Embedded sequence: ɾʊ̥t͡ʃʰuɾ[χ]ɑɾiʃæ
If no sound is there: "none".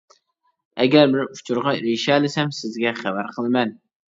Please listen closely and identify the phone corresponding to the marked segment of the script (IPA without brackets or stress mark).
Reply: ʁ